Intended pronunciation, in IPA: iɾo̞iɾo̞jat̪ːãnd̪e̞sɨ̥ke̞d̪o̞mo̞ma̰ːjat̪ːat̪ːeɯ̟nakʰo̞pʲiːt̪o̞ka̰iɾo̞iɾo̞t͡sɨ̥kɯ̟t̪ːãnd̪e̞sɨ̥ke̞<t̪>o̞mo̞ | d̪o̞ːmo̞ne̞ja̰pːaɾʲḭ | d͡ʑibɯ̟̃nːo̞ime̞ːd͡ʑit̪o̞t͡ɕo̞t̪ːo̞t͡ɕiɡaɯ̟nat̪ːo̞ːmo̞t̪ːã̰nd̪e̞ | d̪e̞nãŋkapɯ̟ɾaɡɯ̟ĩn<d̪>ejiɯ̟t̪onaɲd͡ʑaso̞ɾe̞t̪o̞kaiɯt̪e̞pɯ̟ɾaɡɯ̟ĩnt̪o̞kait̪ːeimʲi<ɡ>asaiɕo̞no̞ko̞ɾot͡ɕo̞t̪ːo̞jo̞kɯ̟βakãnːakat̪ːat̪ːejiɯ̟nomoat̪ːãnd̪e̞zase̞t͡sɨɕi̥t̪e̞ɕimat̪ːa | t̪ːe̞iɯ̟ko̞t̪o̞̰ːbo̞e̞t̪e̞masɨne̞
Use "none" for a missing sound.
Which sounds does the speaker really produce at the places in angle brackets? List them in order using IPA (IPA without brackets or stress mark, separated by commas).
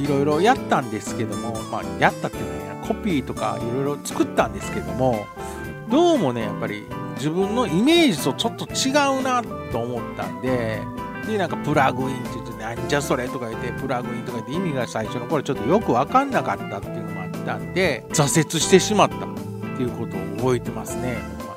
d̪, t̪, ɡ